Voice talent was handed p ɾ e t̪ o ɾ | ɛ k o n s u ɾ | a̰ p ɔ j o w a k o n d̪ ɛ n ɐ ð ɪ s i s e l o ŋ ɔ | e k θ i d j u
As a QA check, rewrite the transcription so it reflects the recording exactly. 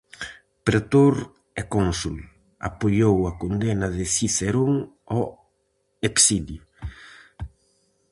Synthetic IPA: p ɾ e t̪ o ɾ | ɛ k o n s u l | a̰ p o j o w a k o n d̪ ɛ n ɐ ð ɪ s i s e ɾ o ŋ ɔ | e k s i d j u